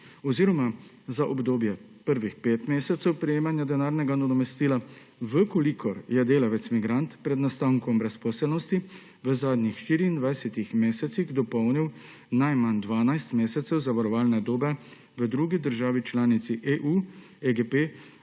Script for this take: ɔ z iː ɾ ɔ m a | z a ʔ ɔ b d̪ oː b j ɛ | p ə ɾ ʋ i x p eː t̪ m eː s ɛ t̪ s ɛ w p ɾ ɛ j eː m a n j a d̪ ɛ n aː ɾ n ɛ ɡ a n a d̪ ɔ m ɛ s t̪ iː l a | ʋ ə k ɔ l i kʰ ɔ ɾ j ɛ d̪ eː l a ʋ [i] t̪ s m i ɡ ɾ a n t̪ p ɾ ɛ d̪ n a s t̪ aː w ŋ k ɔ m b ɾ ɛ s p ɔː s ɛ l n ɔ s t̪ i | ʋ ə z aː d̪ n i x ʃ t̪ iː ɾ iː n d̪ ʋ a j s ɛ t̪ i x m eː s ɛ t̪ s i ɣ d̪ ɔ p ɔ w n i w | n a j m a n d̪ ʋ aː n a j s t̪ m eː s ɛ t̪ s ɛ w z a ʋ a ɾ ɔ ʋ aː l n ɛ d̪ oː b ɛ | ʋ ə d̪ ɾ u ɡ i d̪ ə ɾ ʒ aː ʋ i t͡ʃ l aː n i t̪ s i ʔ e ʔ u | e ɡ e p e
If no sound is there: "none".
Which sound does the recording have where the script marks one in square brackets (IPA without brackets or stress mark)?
ɛ